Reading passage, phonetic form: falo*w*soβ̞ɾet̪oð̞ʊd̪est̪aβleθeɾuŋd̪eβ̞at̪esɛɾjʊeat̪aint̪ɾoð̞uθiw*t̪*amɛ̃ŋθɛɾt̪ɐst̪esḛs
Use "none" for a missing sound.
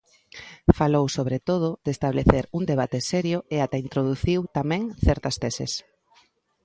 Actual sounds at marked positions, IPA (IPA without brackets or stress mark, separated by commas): w, t̪